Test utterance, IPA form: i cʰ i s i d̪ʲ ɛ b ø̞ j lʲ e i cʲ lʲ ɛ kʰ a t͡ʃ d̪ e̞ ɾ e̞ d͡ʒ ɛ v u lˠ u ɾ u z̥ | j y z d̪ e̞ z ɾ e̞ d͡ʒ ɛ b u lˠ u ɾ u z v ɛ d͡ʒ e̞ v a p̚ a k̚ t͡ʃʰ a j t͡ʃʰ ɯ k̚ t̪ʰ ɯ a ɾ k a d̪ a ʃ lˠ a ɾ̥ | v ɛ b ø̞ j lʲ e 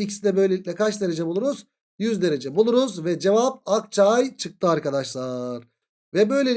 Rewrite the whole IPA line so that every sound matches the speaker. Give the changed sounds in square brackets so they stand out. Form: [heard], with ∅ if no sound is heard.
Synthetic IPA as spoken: i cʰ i s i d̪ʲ ɛ b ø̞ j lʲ e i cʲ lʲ ɛ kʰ a t͡ʃ d̪ e̞ ɾ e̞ d͡ʒ ɛ [b] u lˠ u ɾ u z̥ | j y z d̪ e̞ [∅] ɾ e̞ d͡ʒ ɛ b u lˠ u ɾ u z v ɛ d͡ʒ e̞ v a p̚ a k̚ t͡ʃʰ a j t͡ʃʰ ɯ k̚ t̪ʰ ɯ a ɾ k a d̪ a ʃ lˠ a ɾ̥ | v ɛ b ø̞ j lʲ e